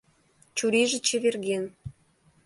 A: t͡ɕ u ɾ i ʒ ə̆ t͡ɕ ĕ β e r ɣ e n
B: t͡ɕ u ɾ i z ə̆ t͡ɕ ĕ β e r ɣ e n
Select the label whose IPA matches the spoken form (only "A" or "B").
A